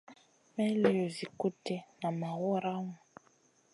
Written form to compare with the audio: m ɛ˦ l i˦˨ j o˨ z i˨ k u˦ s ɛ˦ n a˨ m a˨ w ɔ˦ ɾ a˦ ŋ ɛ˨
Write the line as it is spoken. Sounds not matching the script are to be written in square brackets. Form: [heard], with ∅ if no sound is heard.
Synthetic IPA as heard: m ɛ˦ l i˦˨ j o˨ z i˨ k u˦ [t] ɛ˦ n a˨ m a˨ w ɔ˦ ɾ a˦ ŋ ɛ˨